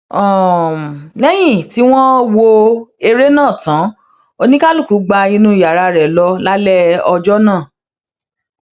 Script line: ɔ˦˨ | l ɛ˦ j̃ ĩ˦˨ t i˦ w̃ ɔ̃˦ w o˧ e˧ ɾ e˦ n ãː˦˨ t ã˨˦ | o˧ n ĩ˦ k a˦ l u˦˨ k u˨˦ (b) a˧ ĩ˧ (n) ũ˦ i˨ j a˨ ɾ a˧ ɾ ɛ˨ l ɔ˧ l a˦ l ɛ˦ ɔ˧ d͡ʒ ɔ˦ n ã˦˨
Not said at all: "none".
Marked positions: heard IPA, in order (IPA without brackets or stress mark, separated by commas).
ɡ͡b, n